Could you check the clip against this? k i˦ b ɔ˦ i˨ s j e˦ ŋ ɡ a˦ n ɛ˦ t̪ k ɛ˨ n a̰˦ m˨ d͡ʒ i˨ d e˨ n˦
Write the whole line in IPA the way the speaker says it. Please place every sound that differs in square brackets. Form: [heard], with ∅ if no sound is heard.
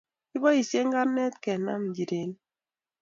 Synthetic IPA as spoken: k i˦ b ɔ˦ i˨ s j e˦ ŋ ɡ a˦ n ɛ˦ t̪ k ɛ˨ n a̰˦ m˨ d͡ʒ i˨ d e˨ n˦

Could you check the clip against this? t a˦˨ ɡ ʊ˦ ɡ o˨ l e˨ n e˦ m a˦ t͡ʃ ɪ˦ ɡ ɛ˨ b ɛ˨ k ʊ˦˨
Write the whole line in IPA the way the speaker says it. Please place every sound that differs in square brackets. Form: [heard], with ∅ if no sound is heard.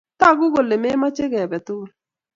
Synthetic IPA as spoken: t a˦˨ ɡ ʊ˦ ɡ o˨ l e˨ [m] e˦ m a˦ t͡ʃ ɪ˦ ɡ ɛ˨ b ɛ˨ [t] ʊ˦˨

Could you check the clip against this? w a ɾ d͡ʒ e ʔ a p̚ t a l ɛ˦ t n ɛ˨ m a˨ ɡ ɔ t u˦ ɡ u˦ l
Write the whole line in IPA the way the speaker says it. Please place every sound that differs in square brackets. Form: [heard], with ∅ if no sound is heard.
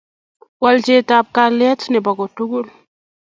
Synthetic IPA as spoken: w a [l] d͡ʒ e [t] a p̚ [k] a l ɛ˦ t n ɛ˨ [b] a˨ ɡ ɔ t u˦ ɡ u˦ l

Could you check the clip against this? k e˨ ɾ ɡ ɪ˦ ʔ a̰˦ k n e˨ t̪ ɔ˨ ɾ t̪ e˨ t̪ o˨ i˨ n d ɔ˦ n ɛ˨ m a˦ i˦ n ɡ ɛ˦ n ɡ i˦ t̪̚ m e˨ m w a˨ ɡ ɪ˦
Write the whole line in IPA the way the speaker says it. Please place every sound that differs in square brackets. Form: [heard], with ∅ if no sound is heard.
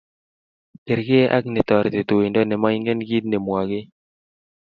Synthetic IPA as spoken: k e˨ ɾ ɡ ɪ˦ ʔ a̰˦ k n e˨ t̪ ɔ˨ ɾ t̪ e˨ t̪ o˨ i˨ n d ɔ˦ n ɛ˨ m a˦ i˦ [ŋ] ɡ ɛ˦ n ɡ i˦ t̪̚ [n] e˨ m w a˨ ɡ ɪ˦

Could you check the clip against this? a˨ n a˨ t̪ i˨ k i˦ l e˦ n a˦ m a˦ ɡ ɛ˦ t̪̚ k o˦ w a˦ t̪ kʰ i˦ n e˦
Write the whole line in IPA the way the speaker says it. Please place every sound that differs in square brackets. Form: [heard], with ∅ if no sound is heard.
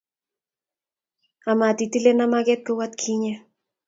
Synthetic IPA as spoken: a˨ [m] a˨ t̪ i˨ [t] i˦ l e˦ n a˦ m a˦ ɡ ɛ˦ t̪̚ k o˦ w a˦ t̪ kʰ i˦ [ɲ] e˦

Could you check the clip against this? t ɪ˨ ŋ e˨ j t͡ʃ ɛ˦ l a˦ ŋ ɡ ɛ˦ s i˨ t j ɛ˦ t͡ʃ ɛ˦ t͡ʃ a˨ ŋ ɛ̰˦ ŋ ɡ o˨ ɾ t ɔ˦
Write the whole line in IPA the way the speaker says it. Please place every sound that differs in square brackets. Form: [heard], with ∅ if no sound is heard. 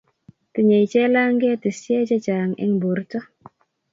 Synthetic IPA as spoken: t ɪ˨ [ɲ] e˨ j t͡ʃ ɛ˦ l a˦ ŋ ɡ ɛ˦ [t] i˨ [s] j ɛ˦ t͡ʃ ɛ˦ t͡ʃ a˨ ŋ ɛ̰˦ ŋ [b] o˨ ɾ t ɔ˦

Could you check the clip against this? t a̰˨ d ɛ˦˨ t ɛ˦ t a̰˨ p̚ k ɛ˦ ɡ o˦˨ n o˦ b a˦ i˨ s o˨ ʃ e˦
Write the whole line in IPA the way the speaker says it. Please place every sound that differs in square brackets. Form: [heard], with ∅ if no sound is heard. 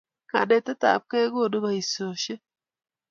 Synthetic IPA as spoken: [k] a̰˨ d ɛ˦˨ t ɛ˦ t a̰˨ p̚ k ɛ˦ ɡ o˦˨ [d] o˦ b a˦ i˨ s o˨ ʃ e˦

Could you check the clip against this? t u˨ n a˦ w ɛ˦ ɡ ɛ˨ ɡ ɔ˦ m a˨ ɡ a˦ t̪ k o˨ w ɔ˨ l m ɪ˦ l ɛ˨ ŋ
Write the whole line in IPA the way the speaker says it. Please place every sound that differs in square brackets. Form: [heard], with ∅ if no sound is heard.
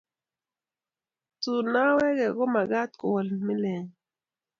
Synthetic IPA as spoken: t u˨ n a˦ w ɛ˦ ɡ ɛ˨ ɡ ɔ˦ m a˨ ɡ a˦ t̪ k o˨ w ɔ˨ l m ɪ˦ l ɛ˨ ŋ

